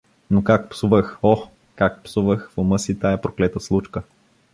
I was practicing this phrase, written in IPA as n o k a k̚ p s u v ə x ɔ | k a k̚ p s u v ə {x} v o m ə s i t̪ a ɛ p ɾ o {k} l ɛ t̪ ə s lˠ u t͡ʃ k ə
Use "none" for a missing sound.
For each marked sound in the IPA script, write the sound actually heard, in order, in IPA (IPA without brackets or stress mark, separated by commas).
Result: x, k